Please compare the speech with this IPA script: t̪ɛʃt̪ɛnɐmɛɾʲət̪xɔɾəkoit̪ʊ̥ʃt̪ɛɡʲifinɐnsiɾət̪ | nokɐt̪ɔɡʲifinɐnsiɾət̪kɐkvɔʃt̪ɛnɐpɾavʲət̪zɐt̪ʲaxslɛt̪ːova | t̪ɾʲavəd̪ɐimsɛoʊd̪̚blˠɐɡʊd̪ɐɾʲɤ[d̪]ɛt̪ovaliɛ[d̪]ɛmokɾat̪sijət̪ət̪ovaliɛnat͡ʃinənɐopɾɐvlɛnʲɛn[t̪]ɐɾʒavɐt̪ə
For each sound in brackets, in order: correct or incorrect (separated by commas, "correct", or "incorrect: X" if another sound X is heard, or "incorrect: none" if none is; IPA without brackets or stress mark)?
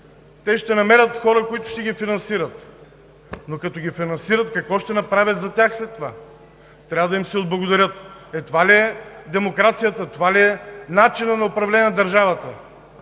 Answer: incorrect: t̪, correct, incorrect: d̪